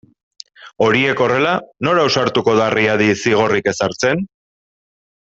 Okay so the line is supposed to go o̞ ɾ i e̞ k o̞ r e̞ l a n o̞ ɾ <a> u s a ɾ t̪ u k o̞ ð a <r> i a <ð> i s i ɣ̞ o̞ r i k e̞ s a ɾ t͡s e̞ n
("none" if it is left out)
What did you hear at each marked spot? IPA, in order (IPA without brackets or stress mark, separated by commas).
a, r, ð